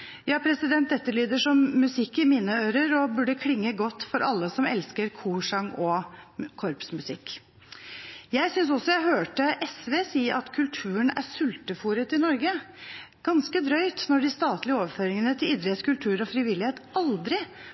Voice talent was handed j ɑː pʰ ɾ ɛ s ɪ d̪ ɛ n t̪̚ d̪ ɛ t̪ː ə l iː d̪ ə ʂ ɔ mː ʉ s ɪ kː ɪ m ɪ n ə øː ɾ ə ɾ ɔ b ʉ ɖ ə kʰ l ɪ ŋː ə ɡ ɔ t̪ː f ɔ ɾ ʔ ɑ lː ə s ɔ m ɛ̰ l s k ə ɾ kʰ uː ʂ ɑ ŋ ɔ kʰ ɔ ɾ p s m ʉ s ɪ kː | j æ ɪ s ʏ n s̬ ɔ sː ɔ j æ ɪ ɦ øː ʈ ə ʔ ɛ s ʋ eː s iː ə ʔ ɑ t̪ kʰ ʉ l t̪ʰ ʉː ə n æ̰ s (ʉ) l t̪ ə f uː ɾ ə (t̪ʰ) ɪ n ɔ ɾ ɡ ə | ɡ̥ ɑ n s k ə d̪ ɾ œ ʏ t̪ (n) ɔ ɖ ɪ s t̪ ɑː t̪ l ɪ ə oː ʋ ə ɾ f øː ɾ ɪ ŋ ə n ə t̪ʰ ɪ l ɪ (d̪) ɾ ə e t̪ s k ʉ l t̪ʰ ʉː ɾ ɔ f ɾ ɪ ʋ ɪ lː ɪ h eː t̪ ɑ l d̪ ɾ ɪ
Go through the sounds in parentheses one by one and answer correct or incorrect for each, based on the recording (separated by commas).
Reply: correct, incorrect, correct, correct